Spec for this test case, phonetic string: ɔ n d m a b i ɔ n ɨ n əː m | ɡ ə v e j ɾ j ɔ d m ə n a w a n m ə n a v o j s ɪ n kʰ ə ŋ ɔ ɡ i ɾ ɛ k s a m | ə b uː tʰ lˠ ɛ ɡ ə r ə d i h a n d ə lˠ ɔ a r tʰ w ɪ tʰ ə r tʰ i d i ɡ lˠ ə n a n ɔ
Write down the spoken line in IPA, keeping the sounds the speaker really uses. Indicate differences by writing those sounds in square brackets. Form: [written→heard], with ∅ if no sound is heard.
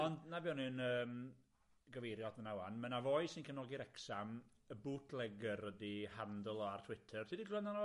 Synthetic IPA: ɔ n d [m→n] a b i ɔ n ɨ n əː m | ɡ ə v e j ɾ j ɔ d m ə n a w a n m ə n a v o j s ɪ n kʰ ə [ŋ→n] ɔ ɡ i ɾ ɛ k s a m | ə b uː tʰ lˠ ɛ ɡ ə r ə d i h a n d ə lˠ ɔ a r tʰ w ɪ tʰ ə r tʰ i d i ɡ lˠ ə n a n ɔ